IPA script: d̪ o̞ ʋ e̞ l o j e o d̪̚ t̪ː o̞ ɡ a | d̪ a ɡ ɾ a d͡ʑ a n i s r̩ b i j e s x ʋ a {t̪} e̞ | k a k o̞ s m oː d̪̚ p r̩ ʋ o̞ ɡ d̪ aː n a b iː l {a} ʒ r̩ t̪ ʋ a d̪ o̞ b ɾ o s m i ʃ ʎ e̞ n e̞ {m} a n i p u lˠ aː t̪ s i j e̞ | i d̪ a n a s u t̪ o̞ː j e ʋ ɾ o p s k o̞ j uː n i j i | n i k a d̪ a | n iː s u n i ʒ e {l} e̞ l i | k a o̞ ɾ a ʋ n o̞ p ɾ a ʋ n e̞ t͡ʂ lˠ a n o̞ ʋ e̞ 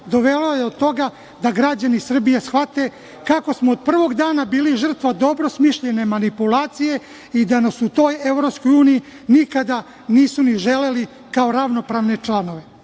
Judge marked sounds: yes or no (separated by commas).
yes, no, yes, yes